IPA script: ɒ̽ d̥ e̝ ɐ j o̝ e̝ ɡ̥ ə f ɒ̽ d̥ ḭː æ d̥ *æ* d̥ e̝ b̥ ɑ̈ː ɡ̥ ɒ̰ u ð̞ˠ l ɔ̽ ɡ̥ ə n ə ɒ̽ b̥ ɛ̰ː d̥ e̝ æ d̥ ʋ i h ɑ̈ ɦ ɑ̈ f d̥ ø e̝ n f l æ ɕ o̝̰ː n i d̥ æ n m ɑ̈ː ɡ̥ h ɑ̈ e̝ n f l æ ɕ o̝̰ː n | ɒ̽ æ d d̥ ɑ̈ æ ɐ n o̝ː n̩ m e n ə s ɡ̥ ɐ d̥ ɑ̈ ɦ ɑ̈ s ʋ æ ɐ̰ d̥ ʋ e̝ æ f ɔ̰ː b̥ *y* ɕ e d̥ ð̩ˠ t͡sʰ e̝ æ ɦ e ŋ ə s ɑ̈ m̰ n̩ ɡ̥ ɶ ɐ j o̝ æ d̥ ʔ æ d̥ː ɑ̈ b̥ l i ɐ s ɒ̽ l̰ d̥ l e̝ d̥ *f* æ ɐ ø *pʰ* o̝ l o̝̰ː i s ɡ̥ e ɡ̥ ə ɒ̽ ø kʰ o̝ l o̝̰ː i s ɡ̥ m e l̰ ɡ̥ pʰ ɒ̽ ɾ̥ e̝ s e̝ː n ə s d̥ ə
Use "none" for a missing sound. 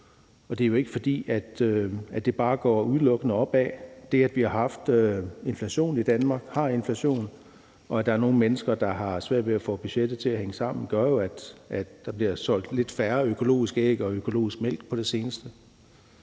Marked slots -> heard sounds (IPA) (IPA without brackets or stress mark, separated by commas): æ, y, f, kʰ